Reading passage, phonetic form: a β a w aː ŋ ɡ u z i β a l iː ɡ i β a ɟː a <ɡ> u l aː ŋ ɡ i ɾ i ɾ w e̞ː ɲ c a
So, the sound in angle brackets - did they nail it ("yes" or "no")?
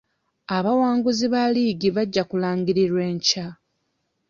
no